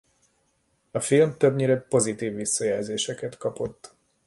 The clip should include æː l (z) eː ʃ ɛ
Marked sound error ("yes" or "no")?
no